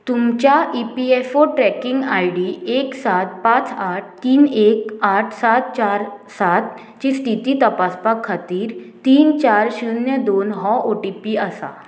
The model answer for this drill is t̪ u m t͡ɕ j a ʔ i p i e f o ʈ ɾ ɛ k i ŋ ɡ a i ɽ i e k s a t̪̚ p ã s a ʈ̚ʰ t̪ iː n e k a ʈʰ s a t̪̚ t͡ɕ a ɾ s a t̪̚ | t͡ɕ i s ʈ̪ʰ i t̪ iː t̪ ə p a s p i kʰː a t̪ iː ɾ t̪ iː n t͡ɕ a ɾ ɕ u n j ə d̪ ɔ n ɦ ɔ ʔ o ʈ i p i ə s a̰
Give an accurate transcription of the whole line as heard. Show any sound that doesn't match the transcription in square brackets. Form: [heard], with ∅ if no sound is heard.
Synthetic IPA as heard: t̪ u m t͡ɕ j a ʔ i p i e f o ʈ ɾ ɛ k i ŋ ɡ a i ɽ i e k s a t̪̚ p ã [t͡s] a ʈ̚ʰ t̪ iː n e k a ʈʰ s a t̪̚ t͡ɕ a ɾ s a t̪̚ | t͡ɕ i s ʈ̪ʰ i t̪ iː t̪ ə p a s p [a] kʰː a t̪ iː ɾ t̪ iː n t͡ɕ a ɾ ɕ u n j ə d̪ [o] n ɦ ɔ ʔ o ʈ i p i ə s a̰